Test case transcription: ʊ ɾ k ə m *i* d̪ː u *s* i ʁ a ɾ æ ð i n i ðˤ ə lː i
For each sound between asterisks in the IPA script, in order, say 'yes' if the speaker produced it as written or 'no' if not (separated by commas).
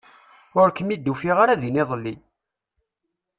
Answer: yes, no